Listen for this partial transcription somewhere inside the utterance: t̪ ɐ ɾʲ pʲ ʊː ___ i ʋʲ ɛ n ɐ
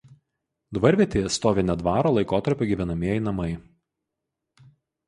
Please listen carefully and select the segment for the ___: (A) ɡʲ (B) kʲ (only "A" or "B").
A